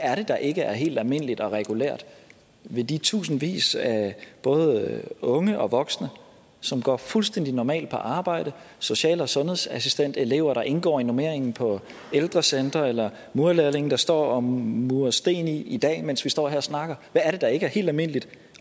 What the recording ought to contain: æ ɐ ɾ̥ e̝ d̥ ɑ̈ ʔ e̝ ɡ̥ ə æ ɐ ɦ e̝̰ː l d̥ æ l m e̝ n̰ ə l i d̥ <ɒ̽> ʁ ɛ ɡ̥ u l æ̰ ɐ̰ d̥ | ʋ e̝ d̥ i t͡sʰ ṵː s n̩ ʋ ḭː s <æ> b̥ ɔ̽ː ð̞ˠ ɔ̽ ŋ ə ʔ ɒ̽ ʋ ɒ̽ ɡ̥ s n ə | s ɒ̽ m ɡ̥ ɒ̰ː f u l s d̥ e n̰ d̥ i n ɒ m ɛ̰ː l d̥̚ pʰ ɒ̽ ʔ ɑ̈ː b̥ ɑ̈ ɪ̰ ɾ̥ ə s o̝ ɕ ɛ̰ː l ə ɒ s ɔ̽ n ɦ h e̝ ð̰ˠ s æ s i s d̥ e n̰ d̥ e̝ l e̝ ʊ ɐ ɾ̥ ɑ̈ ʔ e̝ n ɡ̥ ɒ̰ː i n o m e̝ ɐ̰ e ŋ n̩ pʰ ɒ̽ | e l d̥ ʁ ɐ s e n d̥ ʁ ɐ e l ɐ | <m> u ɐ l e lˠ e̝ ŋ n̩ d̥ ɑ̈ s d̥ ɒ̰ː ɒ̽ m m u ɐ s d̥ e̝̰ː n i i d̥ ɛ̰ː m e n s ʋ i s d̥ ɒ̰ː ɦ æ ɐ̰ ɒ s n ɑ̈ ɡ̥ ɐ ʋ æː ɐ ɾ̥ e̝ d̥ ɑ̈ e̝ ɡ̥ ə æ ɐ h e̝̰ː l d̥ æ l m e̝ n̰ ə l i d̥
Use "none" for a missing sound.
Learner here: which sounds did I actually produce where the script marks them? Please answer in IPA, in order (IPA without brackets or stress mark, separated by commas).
ɒ̽, æ, m